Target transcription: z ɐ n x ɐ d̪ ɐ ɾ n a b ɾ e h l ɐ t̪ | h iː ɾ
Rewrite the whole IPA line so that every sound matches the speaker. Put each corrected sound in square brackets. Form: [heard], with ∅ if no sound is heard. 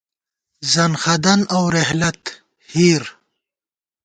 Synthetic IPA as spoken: z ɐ n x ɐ d̪ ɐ [∅] n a [w] ɾ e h l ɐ t̪ | h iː ɾ